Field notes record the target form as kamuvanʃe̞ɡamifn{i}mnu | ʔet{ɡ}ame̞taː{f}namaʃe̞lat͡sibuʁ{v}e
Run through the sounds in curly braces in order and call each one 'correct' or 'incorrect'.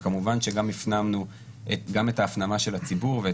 incorrect: a, correct, correct, correct

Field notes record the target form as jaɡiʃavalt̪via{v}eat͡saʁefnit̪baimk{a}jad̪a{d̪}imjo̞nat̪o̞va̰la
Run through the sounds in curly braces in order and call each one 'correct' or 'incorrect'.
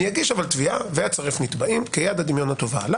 correct, incorrect: e, correct

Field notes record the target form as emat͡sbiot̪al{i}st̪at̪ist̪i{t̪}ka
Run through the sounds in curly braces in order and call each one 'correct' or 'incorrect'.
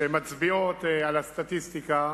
incorrect: a, incorrect: none

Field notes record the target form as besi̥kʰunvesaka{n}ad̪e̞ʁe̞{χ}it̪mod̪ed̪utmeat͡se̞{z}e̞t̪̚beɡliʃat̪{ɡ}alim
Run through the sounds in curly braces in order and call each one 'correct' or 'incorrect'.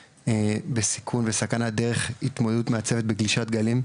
correct, correct, incorrect: v, correct

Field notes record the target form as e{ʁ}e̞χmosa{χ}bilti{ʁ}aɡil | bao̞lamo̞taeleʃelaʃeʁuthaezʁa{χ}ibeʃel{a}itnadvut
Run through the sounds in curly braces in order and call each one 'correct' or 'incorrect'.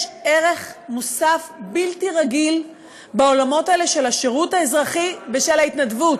correct, incorrect: f, correct, correct, correct

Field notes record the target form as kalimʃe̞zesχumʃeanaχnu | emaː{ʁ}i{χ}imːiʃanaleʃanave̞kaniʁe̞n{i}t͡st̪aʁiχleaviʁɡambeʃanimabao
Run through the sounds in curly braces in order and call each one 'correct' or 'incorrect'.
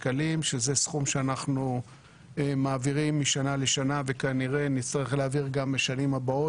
incorrect: v, incorrect: ʁ, correct

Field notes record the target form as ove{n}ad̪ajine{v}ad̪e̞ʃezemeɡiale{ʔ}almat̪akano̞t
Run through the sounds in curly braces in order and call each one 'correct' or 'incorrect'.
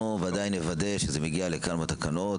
incorrect: none, correct, incorrect: k

